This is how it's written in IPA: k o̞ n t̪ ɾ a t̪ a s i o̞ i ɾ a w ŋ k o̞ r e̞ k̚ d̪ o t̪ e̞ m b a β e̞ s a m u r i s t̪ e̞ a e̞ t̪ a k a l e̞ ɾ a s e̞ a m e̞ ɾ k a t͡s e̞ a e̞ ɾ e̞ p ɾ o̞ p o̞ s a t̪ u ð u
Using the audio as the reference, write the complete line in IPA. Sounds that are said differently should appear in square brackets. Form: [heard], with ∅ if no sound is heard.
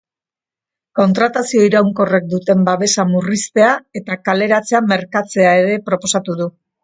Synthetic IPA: k o̞ n t̪ ɾ a t̪ a s i o̞ i ɾ a w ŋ k o̞ r e̞ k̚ d̪ [u] t̪ e̞ m b a β e̞ s a m u r i s t̪ e̞ a e̞ t̪ a k a l e̞ ɾ a [t͡s] e̞ a m e̞ ɾ k a t͡s e̞ a e̞ ɾ e̞ p ɾ o̞ p o̞ s a t̪ u ð u

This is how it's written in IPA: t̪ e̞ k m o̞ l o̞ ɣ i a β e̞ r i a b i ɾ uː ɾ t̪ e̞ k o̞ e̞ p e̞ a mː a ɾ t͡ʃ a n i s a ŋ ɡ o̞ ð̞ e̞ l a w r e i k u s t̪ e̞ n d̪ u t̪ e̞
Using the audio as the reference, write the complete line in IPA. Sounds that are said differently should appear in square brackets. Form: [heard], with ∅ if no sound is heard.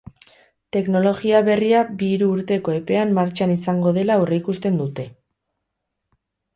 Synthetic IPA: t̪ e̞ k [n] o̞ l o̞ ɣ i a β e̞ r i a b i ɾ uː ɾ t̪ e̞ k o̞ e̞ p e̞ a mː a ɾ t͡ʃ a n i s a ŋ ɡ o̞ ð̞ e̞ l a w r e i k u s t̪ e̞ n d̪ u t̪ e̞

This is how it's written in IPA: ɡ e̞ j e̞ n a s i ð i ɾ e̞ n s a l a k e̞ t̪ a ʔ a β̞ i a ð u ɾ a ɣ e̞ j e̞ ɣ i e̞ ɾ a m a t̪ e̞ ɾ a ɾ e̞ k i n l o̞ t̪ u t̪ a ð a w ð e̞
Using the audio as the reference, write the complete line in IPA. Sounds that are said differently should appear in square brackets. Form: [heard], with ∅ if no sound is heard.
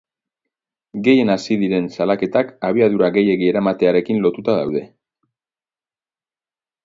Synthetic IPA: ɡ e̞ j e̞ n a s i ð i ɾ e̞ n s a l a k e̞ t̪ a [k] a β̞ i a ð u ɾ a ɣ e̞ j e̞ ɣ i e̞ ɾ a m a t̪ e̞ [∅] a ɾ e̞ k i n l o̞ t̪ u t̪ a ð a w ð e̞

